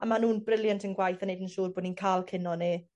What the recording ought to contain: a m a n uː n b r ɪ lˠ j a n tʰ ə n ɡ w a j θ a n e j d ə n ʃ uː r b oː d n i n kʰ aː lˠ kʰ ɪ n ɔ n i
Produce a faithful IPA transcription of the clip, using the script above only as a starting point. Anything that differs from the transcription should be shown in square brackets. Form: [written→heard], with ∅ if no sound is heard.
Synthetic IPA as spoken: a m a n uː n b r ɪ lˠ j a n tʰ ə n ɡ w a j θ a n e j d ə n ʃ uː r b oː d n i n kʰ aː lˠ kʰ ɪ n ɔ n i